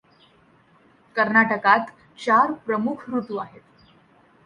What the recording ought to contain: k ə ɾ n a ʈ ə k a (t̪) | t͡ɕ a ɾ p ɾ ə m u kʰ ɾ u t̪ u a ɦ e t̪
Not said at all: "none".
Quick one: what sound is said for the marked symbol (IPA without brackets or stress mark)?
t̪